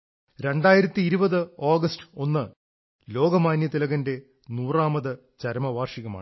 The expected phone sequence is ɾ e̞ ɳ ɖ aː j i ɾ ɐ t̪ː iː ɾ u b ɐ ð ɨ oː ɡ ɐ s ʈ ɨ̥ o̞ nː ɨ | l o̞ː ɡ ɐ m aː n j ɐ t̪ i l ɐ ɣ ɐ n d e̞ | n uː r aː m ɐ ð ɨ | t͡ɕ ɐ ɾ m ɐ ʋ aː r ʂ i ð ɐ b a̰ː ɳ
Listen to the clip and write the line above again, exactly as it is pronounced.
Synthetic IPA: ɾ e̞ ɳ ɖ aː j i ɾ ɐ t̪ː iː ɾ u b ɐ ð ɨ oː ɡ ɐ s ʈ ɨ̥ o̞ nː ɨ | l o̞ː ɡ ɐ m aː n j ɐ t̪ i l ɐ ɣ ɐ n d e̞ | n uː r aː m ɐ ð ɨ | t͡ɕ ɐ ɾ m ɐ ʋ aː r ʂ i ɣ ɐ m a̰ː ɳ